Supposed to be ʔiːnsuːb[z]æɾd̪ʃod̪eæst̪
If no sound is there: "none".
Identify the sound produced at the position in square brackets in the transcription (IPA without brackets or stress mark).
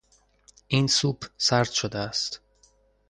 s